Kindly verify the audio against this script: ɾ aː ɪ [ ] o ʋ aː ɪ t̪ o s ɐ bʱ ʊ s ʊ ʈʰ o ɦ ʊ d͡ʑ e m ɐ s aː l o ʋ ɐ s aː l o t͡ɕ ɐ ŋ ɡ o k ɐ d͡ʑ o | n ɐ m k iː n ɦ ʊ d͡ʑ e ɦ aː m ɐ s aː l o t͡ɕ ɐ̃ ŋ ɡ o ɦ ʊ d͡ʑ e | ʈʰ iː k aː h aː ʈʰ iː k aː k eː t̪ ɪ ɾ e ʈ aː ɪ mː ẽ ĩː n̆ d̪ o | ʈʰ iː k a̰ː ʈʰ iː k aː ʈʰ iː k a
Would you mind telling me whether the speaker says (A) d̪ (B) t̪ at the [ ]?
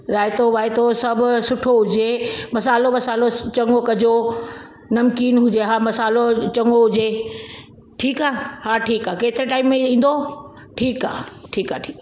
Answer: B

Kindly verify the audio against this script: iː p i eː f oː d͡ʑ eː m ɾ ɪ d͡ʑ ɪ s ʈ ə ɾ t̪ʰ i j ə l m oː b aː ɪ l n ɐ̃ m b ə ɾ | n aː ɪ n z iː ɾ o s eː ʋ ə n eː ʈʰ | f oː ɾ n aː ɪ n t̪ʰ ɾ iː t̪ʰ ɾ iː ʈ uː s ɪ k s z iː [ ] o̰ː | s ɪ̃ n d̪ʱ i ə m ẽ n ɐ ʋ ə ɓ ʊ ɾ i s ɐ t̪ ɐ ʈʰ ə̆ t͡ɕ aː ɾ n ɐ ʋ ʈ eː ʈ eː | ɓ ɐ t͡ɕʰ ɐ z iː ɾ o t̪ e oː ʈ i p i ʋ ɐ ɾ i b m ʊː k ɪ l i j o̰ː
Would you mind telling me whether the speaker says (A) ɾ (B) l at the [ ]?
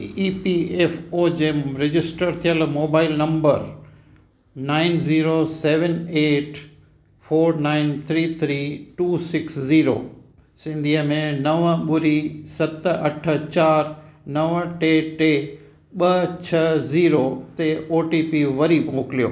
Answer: A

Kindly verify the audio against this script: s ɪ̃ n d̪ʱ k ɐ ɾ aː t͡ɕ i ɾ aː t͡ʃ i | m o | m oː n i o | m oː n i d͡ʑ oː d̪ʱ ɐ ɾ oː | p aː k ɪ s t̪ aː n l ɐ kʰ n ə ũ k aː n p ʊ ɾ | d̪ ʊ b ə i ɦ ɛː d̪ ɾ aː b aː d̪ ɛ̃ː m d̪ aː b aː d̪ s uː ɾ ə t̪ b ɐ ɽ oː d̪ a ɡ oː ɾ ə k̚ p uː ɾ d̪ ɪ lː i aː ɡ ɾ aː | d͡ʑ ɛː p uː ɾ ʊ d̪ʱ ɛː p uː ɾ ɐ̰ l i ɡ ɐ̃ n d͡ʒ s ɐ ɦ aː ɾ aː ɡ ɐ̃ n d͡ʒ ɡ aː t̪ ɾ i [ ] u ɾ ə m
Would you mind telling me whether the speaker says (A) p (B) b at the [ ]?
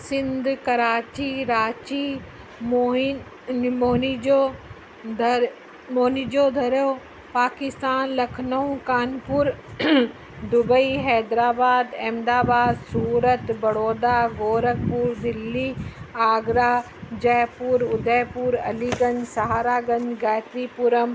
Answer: A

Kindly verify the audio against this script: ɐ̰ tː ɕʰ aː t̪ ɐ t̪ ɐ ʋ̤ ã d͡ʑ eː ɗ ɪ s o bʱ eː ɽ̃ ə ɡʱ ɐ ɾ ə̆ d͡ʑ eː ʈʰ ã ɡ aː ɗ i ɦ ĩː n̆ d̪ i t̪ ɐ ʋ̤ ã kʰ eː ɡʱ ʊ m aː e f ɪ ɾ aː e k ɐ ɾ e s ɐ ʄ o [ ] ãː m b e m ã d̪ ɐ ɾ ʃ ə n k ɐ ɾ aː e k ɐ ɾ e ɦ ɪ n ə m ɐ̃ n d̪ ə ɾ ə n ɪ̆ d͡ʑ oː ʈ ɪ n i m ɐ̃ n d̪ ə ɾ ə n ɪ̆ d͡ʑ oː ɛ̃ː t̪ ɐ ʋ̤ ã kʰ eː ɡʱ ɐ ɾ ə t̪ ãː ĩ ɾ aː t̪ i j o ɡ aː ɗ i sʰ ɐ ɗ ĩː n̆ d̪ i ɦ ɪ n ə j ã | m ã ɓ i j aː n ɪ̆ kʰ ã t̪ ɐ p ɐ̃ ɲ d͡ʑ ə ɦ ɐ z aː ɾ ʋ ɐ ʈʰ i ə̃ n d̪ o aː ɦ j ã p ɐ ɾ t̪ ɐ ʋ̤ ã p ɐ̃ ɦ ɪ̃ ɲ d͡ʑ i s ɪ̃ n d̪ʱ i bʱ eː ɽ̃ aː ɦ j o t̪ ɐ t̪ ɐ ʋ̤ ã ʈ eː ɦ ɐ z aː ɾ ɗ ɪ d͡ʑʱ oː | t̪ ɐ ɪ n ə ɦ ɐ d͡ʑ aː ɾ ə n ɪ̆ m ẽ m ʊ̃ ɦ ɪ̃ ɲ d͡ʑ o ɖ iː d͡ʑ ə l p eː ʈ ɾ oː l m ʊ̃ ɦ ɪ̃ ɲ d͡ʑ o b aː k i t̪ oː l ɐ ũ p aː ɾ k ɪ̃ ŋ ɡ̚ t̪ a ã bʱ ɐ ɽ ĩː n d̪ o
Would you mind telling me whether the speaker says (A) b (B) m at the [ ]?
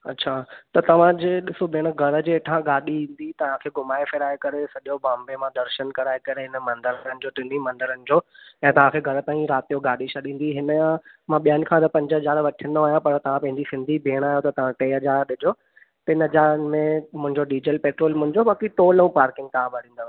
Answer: A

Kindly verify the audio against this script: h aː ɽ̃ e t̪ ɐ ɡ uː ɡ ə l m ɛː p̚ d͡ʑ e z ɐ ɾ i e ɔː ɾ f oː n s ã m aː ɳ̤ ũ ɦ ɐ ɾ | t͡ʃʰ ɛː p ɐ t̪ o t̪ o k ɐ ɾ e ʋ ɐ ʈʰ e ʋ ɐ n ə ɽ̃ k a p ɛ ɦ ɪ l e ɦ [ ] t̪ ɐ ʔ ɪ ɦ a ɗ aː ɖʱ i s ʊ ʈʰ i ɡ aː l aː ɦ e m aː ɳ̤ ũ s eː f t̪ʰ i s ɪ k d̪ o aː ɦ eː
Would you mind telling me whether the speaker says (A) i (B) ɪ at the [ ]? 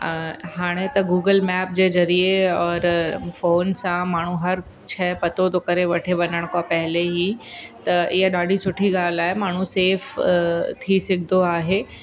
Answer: A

